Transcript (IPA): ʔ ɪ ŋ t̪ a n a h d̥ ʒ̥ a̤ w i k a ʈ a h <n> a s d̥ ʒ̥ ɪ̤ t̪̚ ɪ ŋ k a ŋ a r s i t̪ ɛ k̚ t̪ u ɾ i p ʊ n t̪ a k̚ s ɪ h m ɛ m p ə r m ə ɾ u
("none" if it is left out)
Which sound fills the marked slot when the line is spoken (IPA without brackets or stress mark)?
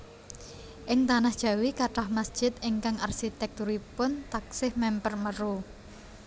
m